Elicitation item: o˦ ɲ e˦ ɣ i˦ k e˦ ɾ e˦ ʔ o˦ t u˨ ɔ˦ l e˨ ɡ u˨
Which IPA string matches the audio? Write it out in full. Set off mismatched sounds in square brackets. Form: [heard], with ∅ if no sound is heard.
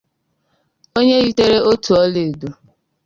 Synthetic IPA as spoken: o˦ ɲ e˦ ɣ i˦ [t] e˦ ɾ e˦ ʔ o˦ t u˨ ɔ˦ l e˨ [d] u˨